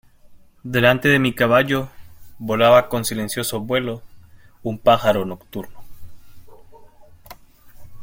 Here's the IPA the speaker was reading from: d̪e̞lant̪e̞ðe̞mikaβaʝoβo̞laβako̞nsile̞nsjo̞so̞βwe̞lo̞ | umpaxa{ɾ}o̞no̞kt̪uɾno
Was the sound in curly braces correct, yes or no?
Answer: yes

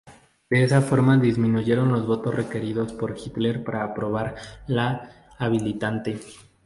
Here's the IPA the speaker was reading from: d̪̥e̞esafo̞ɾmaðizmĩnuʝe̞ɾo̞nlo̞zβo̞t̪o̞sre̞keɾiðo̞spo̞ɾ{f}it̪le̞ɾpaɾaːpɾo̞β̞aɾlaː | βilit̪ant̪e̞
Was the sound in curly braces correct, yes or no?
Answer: no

